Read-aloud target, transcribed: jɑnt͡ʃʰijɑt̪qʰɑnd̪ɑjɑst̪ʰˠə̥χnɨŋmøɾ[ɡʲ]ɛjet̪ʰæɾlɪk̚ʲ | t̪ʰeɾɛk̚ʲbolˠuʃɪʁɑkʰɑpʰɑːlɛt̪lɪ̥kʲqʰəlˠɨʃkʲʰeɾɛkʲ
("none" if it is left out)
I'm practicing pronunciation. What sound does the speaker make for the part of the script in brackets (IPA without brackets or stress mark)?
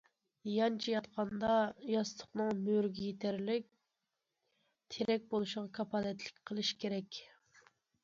ɡʲ